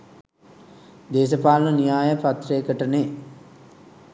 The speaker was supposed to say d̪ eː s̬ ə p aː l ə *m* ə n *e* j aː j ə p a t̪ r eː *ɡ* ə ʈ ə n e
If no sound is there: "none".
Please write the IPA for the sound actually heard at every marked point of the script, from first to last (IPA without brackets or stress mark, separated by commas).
n, i, k